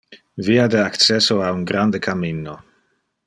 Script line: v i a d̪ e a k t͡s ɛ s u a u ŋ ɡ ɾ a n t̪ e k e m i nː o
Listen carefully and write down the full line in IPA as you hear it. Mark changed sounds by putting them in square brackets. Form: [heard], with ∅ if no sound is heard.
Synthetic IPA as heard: v i a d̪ e a k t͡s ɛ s [o] a u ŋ ɡ ɾ a n [d̪] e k [a] m i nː o